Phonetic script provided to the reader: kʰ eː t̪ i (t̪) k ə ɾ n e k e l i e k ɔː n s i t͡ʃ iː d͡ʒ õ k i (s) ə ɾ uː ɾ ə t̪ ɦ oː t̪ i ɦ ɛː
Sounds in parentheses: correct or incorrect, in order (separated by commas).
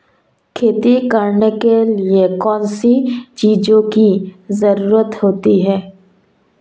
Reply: incorrect, incorrect